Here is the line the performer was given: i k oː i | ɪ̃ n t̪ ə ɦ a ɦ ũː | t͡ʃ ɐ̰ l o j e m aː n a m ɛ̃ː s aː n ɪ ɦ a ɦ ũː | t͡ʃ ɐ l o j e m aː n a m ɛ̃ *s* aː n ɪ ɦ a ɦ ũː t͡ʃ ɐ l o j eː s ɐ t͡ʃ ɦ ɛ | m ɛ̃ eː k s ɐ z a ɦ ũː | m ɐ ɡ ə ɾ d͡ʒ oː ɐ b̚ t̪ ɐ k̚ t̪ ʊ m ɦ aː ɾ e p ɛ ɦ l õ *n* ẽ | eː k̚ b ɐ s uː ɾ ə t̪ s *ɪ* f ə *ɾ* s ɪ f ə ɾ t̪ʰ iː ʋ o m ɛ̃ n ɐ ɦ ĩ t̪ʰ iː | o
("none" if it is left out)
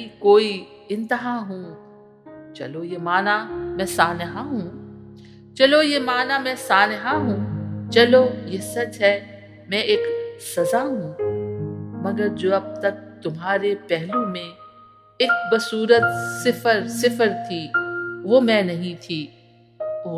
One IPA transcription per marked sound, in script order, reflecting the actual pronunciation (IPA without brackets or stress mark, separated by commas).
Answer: s, m, ɪ, ɾ